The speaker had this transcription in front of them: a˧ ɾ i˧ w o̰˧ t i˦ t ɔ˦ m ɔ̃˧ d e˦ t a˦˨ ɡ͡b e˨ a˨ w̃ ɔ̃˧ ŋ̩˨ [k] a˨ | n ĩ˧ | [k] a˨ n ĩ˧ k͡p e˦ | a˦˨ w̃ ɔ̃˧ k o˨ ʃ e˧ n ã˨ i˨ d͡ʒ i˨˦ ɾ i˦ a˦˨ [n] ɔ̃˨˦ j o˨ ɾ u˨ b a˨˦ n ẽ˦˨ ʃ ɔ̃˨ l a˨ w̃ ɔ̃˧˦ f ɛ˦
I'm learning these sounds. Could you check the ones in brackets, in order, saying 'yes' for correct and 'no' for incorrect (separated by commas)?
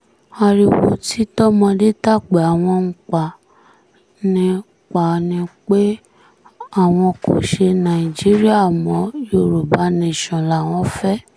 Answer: no, no, no